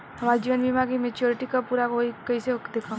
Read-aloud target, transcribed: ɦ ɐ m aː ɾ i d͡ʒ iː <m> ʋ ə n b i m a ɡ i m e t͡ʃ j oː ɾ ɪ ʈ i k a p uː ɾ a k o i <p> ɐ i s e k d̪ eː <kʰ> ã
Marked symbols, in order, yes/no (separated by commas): no, no, yes